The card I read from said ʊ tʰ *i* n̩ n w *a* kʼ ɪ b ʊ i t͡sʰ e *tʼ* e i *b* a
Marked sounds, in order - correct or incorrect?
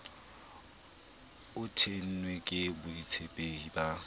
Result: incorrect, incorrect, incorrect, correct

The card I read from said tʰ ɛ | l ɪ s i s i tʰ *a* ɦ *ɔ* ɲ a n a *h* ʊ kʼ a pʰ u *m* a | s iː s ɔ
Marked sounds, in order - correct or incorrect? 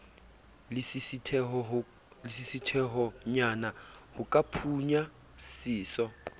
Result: incorrect, correct, correct, incorrect

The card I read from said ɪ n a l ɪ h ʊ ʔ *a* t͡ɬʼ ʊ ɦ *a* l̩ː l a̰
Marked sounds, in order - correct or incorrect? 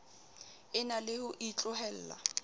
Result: incorrect, incorrect

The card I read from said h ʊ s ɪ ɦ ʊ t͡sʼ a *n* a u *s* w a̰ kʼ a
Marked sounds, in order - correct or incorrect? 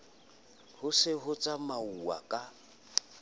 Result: incorrect, incorrect

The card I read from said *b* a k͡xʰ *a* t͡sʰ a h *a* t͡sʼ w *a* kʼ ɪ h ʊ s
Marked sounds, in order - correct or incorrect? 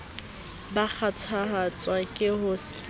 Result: correct, correct, correct, correct

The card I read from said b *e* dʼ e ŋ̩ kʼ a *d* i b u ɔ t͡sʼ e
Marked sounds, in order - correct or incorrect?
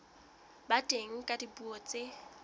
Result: incorrect, correct

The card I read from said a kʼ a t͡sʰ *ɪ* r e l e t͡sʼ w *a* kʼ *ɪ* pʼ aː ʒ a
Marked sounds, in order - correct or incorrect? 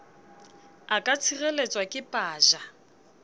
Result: incorrect, correct, correct

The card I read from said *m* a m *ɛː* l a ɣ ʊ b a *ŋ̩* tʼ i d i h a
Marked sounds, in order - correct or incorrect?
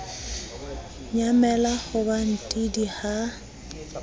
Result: incorrect, incorrect, incorrect

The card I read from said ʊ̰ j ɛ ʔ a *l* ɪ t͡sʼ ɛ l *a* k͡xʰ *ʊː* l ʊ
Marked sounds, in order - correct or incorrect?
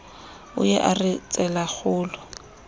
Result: incorrect, correct, correct

